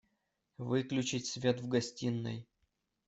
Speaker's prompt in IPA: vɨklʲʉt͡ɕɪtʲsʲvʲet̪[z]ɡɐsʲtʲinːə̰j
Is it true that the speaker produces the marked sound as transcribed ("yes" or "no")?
no